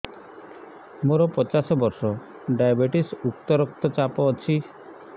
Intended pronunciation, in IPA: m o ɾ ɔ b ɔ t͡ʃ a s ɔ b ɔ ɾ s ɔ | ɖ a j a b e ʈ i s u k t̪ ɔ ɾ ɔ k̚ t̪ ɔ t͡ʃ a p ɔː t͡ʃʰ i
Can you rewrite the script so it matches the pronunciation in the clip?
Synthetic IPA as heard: m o ɾ ɔ p ɔ t͡ʃ a s ɔ b ɔ ɾ s ɔ | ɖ a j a b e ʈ i s u k t̪ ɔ ɾ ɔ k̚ t̪ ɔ t͡ʃ a p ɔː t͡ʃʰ i